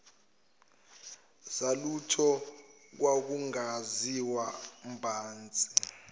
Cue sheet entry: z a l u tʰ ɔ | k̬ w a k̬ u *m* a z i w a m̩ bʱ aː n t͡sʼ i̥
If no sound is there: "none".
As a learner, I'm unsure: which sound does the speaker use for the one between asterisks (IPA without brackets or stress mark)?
ŋ